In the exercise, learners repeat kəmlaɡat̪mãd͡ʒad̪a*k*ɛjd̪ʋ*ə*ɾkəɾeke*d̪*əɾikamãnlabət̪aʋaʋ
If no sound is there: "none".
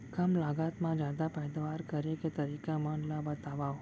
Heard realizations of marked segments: p, a, t̪

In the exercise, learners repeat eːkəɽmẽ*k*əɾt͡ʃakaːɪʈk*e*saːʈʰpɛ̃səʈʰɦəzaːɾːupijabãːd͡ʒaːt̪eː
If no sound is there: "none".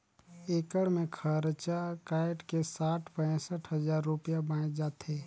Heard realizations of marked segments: kʰ, e

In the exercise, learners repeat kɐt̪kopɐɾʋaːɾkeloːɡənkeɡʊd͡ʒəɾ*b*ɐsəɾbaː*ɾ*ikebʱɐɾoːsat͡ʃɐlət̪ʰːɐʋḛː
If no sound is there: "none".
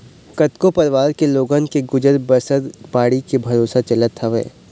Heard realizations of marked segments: b, ɽ

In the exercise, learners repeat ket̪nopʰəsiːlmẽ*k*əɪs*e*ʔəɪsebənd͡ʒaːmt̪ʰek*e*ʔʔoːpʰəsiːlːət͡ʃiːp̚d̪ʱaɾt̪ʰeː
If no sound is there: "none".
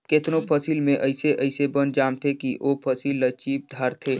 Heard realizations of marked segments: ʔ, e, i

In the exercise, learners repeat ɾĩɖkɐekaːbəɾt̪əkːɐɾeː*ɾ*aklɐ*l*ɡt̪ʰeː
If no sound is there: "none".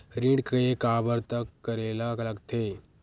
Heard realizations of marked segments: l, none

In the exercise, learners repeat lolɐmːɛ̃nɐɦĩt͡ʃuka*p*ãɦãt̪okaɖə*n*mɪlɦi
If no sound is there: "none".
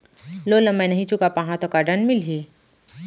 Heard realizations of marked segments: p, n

